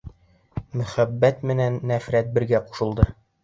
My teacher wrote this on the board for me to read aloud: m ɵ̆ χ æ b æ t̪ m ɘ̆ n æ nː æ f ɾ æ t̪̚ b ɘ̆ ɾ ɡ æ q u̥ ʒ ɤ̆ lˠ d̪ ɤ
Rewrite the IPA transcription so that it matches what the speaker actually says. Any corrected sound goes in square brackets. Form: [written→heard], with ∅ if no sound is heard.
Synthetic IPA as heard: m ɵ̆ χ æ [b→bː] æ t̪ m ɘ̆ n æ nː æ f ɾ æ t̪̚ b ɘ̆ ɾ ɡ æ q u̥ [ʒ→ʃ] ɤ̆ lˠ d̪ ɤ

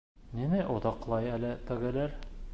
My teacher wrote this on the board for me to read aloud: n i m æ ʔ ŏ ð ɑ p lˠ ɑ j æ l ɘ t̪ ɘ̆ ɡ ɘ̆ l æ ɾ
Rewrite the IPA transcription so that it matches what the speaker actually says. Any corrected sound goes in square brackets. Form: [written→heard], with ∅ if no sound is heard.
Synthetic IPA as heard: n i m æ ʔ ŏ ð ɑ [p→q] lˠ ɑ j æ l ɘ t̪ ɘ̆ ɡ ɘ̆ l æ ɾ

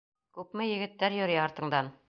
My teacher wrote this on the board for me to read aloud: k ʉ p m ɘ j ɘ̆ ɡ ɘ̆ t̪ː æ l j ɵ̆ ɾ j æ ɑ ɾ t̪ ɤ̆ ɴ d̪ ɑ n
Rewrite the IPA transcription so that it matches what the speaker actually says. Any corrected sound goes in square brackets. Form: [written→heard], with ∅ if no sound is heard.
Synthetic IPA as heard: k ʉ p m ɘ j ɘ̆ ɡ ɘ̆ t̪ː æ [l→ɾ] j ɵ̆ ɾ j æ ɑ ɾ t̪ ɤ̆ ɴ d̪ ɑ n

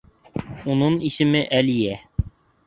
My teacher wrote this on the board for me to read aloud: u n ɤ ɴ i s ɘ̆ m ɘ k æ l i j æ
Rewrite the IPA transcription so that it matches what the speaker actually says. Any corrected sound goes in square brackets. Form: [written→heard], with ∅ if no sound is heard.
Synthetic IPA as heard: u n ɤ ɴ i s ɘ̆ m ɘ [k→ʔ] æ l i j æ

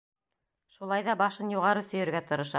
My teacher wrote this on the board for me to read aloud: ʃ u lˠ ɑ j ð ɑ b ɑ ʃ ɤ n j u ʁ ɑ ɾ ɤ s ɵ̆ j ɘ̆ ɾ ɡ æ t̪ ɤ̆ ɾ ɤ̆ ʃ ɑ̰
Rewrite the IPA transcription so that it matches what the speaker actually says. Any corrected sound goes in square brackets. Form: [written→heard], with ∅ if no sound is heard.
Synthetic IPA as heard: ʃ u lˠ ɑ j ð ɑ b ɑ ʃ ɤ n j u ʁ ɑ ɾ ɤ s ɵ̆ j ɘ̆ ɾ ɡ æ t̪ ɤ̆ ɾ ɤ̆ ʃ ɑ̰

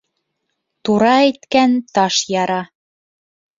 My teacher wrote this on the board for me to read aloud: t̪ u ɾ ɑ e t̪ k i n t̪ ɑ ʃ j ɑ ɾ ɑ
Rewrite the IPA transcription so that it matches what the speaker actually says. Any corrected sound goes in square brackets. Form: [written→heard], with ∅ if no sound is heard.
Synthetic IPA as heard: t̪ u ɾ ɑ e t̪ k [i→æ] n t̪ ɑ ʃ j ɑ ɾ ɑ

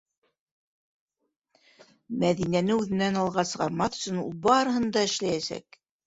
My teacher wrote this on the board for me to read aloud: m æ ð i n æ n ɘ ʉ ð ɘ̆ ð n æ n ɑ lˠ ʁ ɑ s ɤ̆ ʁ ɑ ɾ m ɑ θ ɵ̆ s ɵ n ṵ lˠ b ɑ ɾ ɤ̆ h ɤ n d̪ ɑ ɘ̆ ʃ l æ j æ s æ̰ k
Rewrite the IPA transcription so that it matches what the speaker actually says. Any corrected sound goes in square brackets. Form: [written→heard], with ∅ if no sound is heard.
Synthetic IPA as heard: m æ ð i n æ n ɘ ʉ ð ɘ̆ [ð→∅] n æ n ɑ lˠ ʁ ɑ s ɤ̆ ʁ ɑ ɾ m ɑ θ ɵ̆ s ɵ n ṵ lˠ b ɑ ɾ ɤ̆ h ɤ n d̪ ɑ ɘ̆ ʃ l æ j æ s æ̰ k

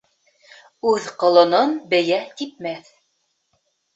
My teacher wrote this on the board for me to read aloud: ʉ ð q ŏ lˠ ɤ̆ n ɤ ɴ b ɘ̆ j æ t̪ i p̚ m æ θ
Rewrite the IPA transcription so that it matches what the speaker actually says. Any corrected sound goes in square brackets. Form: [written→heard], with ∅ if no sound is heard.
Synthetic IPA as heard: ʉ ð q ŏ lˠ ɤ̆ n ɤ [ɴ→n] b ɘ̆ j æ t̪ i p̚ m æ θ

